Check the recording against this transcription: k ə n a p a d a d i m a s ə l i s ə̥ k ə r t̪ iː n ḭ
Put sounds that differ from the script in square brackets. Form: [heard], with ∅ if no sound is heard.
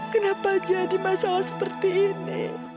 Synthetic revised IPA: k ə n a p a [d͡ʒ] a d i m a s [a] l [a] s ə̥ [p] ə r t̪ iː n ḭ